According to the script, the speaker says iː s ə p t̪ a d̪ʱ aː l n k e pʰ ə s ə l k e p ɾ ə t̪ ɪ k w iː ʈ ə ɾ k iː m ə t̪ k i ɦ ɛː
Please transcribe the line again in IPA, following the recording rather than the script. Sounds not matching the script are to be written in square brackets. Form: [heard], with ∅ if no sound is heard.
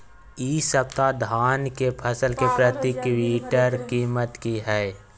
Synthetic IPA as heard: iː s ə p t̪ a d̪ʱ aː [∅] n k e pʰ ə s ə l k e p ɾ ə t̪ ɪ k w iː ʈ ə ɾ k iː m ə t̪ k i ɦ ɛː